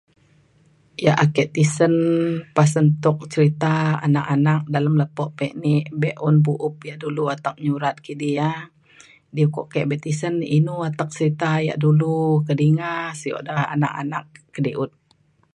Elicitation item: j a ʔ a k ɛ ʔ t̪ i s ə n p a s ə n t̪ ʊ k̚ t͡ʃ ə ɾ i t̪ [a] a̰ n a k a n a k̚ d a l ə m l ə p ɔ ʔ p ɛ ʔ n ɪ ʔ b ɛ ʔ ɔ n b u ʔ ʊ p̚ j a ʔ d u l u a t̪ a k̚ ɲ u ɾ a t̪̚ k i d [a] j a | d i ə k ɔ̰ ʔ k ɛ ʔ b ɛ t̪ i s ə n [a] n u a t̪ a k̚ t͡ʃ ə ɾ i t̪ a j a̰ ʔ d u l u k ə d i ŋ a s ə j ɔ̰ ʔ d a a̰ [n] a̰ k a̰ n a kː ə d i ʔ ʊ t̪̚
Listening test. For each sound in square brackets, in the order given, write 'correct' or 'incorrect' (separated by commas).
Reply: correct, incorrect, incorrect, correct